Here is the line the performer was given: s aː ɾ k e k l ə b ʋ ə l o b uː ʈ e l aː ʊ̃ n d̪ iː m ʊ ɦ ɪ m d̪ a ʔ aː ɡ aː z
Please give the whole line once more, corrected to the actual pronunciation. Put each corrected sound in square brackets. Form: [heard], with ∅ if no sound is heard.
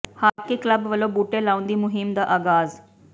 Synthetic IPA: [h] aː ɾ k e k l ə b ʋ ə l o b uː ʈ e l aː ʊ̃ n d̪ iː m ʊ ɦ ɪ m d̪ a ʔ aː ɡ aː z